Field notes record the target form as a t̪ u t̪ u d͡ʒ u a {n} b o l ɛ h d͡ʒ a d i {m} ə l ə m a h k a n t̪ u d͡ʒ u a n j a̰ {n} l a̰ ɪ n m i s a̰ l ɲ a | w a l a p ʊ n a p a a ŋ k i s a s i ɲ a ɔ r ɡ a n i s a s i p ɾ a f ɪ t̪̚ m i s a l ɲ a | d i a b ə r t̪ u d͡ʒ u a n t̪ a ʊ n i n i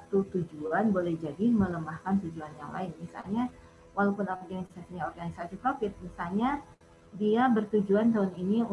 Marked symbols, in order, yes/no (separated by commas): yes, yes, no